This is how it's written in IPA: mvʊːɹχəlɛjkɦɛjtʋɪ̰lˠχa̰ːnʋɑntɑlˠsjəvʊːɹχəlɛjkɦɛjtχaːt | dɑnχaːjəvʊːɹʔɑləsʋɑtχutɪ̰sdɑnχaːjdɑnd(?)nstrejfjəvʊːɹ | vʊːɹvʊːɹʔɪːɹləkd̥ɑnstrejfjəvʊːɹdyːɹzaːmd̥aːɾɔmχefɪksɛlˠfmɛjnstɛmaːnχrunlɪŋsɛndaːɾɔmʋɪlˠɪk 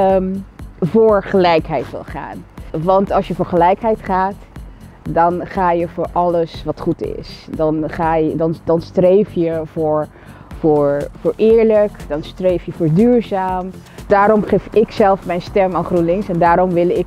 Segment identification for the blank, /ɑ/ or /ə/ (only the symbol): ɑ